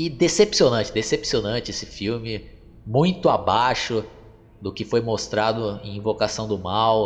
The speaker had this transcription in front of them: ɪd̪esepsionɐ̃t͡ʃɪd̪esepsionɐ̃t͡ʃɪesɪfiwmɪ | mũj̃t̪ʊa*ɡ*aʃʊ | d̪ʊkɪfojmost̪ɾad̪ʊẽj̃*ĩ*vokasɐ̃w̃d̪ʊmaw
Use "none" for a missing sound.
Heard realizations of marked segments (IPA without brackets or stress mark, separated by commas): b, ĩ